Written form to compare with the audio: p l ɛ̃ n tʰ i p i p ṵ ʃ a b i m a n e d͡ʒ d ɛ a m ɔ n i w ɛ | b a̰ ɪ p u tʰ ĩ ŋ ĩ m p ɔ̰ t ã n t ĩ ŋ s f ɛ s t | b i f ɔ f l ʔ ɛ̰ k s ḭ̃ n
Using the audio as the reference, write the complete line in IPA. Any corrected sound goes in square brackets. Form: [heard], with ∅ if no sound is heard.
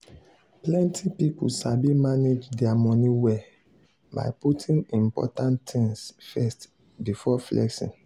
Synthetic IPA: p l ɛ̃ n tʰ i p i p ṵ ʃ a b i m a n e d͡ʒ d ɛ a m ɔ n i w ɛ | b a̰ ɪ p u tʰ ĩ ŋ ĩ m p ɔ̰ t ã n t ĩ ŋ s f ɛ s t | b i f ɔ f l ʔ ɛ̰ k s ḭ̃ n